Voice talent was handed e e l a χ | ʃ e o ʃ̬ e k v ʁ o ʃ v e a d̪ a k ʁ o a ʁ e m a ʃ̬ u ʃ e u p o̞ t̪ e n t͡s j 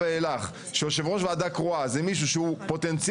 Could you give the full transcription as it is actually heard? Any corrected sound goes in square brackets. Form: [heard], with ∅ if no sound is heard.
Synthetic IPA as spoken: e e l a χ | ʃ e o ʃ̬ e [∅] v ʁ o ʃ v e a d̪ a k ʁ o a [z] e m [i] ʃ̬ u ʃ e u p o̞ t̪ e n t͡s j